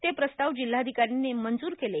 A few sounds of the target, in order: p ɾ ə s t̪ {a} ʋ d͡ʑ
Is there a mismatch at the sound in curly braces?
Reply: no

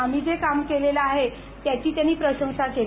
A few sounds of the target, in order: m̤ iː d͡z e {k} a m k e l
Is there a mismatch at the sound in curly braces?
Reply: no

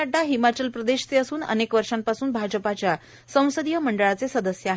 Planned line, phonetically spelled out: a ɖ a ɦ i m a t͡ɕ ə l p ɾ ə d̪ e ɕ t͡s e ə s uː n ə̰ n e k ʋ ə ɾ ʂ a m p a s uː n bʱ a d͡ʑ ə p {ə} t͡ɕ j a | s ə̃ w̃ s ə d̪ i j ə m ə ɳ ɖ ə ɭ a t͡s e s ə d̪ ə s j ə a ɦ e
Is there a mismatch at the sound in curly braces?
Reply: yes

